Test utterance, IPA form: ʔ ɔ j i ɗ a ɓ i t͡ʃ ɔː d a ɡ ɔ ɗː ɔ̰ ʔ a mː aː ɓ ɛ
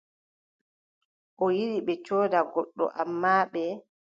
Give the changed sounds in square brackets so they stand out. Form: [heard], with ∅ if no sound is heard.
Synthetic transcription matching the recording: ʔ ɔ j i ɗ [i] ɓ [ɛ] t͡ʃ ɔː d a ɡ ɔ ɗː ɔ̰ ʔ a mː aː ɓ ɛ